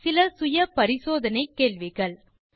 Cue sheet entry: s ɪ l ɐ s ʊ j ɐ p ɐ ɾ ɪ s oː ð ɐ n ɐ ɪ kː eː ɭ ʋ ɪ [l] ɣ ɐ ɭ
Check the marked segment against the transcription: incorrect: none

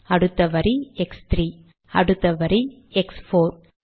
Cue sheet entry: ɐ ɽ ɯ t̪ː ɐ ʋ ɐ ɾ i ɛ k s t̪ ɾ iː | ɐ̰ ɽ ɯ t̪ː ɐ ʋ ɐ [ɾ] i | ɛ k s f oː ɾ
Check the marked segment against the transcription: correct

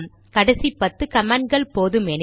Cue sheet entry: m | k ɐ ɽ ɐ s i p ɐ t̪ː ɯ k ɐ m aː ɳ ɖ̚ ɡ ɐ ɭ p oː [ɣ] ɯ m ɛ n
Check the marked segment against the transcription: incorrect: ð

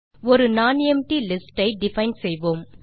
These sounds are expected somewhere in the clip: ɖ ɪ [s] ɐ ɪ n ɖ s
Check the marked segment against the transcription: incorrect: f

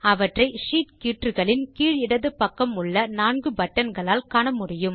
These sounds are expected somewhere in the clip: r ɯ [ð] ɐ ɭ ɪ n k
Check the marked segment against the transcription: incorrect: ɣ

